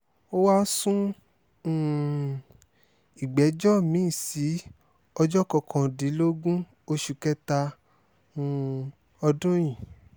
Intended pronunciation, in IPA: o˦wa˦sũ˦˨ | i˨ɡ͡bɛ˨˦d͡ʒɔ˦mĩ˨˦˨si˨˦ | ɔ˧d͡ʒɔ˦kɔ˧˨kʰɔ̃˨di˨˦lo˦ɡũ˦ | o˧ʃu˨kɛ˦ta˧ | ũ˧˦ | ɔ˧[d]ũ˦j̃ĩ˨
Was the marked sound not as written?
no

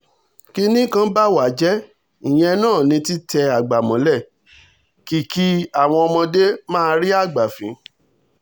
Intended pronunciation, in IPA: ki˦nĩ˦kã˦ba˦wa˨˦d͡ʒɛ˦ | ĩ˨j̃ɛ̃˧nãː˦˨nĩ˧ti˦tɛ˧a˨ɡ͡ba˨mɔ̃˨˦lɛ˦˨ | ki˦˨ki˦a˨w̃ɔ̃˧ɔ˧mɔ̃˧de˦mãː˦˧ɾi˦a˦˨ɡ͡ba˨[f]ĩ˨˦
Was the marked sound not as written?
no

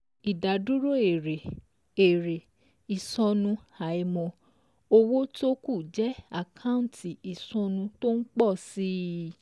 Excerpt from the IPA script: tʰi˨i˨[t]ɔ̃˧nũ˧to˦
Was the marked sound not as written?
yes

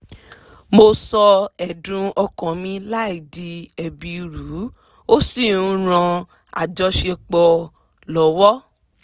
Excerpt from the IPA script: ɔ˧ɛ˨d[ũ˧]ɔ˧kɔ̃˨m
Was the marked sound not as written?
no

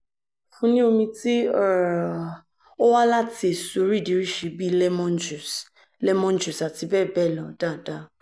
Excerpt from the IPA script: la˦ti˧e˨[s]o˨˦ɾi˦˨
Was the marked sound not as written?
no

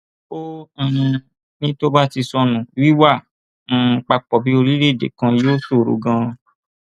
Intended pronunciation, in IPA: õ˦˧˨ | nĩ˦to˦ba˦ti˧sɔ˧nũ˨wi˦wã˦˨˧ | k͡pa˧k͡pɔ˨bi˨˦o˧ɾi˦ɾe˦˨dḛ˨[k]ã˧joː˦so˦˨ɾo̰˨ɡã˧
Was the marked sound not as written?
no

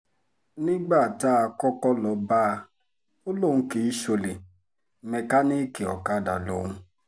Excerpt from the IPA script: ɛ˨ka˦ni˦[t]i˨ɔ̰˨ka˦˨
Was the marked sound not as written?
yes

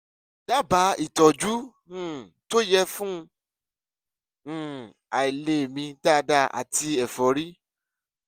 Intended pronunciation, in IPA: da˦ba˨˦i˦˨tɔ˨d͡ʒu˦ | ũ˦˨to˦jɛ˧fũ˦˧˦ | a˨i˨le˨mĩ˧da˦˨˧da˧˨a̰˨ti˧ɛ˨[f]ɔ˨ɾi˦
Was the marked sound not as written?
no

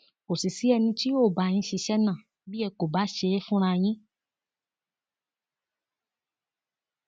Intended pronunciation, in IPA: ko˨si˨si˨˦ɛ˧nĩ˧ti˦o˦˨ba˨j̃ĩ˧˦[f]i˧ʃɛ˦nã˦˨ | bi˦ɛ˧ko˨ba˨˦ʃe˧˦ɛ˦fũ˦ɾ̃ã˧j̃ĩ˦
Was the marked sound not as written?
yes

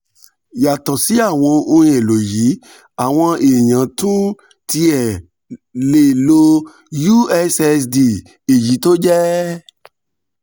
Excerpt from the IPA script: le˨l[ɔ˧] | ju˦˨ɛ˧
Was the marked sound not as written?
yes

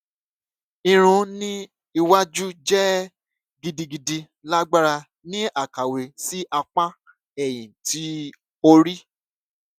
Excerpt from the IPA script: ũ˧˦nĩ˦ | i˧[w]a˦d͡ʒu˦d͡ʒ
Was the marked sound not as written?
no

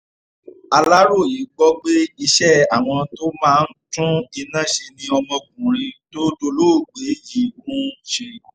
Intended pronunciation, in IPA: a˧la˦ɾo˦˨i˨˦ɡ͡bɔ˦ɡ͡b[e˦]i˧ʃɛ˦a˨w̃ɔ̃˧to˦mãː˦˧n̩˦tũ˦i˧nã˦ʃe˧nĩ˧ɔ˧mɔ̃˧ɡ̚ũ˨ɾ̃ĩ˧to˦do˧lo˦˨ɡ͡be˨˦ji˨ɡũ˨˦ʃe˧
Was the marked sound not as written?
no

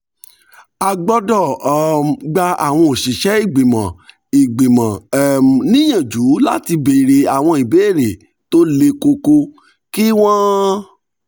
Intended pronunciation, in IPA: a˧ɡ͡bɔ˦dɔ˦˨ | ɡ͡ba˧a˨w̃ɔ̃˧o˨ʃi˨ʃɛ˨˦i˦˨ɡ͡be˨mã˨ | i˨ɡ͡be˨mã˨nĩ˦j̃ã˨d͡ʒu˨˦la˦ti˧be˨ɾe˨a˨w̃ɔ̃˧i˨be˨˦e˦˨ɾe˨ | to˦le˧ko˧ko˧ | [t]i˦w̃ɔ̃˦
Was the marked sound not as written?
yes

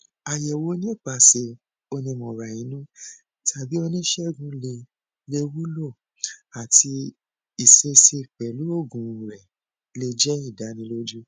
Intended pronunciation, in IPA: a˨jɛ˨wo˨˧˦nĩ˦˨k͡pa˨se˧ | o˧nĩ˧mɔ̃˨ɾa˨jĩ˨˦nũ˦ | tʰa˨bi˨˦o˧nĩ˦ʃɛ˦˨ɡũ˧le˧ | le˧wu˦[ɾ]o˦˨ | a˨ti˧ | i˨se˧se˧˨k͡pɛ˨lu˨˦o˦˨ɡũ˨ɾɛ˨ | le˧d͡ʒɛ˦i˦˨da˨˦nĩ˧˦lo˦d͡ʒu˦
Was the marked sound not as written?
yes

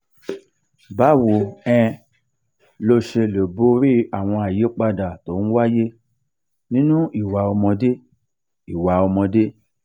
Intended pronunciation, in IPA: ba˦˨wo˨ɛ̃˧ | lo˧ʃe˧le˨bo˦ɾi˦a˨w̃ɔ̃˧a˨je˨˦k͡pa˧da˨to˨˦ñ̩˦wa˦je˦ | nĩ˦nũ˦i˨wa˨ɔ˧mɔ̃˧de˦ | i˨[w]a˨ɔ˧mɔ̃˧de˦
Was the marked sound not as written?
no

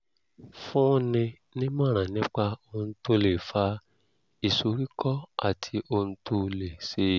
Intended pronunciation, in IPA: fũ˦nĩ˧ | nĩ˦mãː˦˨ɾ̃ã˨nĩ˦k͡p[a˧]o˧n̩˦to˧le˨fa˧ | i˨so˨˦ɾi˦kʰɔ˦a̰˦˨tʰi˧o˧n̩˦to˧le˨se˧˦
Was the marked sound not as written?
no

